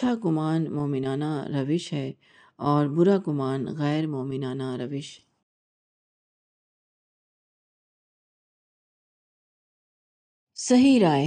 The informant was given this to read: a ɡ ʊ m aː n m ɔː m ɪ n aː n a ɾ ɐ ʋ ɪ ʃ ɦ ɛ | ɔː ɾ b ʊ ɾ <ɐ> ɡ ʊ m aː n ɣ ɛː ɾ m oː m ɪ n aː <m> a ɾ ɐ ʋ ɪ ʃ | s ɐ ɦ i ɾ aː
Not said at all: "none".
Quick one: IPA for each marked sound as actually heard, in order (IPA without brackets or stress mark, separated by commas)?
a, n